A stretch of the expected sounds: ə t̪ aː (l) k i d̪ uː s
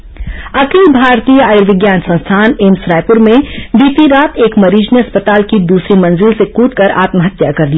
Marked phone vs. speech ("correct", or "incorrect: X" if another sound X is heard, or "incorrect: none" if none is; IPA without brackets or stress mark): correct